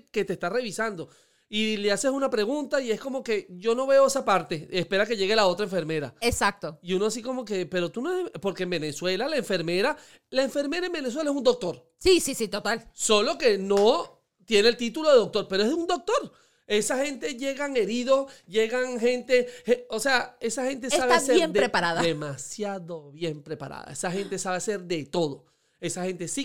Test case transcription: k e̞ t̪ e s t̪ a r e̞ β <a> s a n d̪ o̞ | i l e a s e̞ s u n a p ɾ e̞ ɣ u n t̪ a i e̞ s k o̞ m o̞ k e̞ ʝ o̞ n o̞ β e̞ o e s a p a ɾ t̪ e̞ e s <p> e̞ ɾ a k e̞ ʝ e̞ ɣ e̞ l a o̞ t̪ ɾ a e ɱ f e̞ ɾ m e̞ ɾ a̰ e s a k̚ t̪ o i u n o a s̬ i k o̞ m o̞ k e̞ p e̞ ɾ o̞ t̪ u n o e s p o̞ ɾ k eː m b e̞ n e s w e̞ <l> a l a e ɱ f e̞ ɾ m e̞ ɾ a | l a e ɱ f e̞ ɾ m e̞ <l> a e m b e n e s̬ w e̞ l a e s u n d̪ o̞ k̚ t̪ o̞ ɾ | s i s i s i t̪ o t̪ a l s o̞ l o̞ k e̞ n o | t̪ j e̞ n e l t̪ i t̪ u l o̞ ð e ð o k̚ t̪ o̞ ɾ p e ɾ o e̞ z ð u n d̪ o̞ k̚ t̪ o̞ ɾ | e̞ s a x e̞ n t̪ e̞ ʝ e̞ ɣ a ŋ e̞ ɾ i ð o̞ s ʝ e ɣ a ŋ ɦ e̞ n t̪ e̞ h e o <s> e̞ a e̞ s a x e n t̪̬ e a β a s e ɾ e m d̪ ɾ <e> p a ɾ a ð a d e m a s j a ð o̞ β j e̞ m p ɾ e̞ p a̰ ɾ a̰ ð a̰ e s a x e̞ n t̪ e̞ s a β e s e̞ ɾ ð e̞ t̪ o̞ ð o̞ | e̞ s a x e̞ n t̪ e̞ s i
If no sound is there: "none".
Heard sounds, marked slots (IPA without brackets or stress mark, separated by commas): i, p, l, ɾ, s, e